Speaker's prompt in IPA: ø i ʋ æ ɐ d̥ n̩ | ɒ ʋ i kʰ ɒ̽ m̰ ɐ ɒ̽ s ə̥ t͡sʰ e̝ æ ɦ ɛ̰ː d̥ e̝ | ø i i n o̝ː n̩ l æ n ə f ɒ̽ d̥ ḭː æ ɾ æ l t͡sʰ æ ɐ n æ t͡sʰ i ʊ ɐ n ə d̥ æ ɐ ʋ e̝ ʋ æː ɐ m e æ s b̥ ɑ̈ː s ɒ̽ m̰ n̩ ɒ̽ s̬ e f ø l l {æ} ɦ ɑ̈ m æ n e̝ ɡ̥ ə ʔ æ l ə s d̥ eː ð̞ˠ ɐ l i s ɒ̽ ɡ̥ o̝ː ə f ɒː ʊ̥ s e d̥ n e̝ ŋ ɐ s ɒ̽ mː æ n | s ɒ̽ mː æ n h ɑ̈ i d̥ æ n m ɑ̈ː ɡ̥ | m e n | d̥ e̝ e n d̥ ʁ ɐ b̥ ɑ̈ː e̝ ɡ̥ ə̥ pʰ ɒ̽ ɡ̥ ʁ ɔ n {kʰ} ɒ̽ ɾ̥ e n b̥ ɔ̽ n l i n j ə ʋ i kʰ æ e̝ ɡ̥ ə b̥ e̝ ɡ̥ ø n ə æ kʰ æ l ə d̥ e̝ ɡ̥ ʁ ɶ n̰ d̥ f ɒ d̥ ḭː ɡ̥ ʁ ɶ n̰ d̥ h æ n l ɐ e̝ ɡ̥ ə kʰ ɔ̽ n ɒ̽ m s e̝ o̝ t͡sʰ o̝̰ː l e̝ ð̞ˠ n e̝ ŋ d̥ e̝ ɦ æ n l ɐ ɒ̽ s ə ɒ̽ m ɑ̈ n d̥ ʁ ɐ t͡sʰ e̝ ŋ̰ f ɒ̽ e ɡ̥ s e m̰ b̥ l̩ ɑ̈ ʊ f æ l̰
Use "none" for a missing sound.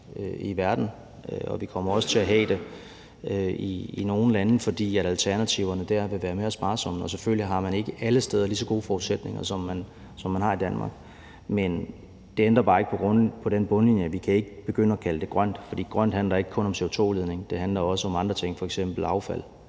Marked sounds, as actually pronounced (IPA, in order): i, pʰ

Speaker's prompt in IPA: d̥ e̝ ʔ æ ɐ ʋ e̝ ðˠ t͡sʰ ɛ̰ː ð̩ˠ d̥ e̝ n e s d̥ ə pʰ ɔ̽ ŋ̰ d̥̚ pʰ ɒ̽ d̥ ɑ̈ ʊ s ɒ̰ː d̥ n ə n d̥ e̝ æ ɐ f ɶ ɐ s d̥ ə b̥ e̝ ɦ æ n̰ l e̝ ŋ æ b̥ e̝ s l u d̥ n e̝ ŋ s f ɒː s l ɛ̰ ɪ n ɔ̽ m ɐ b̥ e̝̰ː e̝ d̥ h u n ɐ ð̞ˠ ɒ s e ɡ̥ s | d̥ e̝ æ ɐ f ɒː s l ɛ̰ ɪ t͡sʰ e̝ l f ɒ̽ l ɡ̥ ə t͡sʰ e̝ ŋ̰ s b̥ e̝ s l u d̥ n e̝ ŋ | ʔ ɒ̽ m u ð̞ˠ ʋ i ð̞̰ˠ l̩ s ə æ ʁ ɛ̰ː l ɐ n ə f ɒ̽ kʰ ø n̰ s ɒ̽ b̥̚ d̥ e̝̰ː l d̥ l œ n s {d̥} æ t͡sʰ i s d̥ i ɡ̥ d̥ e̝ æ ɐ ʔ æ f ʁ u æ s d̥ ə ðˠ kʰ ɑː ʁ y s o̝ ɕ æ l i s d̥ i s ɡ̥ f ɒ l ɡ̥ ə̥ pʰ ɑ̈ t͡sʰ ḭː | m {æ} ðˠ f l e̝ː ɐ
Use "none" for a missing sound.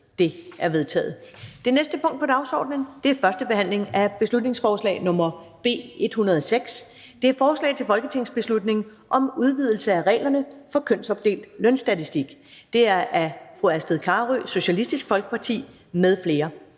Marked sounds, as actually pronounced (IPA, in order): d̥, e

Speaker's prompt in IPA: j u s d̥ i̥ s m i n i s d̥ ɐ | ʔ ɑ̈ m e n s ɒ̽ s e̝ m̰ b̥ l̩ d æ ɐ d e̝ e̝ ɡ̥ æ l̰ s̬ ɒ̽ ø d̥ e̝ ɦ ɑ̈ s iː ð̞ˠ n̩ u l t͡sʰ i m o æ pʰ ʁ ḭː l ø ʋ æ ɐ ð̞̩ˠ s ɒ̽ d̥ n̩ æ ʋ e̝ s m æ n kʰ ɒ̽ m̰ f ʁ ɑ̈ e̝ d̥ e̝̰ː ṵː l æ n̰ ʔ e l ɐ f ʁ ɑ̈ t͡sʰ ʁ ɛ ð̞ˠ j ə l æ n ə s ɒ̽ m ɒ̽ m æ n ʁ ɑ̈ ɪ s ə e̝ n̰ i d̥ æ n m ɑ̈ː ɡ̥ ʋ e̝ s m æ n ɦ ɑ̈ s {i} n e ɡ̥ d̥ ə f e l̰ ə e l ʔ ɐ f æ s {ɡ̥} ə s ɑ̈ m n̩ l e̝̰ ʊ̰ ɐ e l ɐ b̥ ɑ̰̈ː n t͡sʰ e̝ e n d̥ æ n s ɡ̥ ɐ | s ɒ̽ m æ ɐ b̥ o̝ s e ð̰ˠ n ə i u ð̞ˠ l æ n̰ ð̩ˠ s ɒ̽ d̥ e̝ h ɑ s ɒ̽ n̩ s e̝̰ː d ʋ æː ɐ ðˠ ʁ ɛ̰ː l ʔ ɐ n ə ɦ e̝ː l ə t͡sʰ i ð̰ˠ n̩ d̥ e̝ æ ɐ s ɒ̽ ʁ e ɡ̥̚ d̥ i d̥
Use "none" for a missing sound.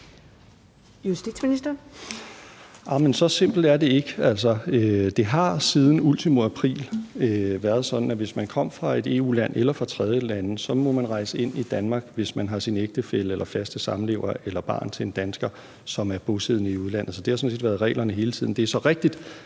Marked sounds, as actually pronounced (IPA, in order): i, d̥

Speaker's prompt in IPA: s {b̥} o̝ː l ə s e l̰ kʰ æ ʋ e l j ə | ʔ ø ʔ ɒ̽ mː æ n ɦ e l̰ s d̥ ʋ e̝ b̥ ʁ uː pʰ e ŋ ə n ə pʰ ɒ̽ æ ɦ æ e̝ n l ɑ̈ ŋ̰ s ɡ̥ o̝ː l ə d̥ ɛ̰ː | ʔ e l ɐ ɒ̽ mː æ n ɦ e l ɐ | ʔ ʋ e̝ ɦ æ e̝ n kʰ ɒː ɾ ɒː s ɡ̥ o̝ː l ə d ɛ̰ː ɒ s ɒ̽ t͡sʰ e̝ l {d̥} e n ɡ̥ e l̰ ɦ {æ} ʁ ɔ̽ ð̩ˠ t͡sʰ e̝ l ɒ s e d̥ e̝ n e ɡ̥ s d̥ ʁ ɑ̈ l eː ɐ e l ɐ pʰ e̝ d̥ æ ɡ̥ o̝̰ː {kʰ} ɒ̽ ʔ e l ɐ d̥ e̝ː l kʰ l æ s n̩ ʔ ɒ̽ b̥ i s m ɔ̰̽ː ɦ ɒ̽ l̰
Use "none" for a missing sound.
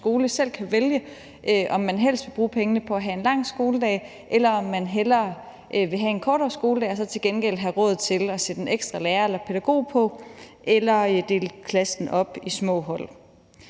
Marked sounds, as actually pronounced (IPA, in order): ɡ̥, ɡ̥, æ, pʰ

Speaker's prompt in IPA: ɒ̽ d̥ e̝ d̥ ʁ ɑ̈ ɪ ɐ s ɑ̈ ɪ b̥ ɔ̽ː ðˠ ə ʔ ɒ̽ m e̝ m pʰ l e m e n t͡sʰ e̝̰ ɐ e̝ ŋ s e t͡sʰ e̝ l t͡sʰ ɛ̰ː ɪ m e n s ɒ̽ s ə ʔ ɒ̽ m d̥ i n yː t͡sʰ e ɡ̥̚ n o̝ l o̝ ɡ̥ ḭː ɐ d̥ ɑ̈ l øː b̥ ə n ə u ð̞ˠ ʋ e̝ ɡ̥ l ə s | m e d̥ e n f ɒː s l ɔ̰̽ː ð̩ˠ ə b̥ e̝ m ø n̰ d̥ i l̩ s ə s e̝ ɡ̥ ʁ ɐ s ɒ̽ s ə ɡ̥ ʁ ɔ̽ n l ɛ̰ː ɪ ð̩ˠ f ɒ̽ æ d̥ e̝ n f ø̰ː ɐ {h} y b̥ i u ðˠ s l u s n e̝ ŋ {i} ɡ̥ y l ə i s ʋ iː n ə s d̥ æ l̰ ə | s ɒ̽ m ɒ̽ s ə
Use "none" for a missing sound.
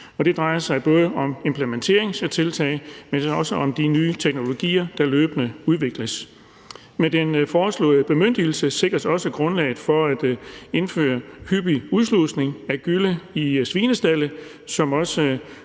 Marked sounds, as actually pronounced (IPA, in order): h, æ

